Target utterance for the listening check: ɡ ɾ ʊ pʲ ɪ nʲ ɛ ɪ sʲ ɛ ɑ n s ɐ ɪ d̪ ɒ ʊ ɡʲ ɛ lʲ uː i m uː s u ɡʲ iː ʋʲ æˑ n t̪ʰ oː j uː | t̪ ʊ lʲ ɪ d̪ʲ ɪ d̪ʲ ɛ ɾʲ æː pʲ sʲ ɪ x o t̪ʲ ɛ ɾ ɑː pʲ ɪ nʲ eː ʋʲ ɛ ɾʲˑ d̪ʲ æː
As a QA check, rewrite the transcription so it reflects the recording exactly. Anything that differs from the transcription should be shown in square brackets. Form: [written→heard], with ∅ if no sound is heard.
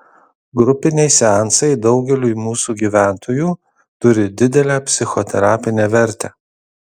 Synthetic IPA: ɡ ɾ ʊ pʲ ɪ nʲ ɛ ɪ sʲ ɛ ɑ n s ɐ ɪ d̪ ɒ ʊ ɡʲ ɛ lʲ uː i m uː s u ɡʲ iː ʋʲ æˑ n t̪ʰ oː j uː | t̪ ʊ [lʲ→ɾʲ] ɪ d̪ʲ ɪ d̪ʲ ɛ [ɾʲ→lʲ] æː pʲ sʲ ɪ x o t̪ʲ ɛ ɾ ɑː pʲ ɪ nʲ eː ʋʲ ɛ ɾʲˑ [d̪ʲ→t̪ʲ] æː